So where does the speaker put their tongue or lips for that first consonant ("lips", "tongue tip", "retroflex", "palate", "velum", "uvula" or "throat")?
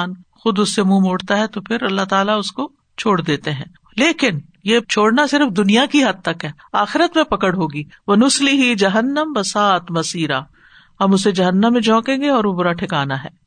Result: tongue tip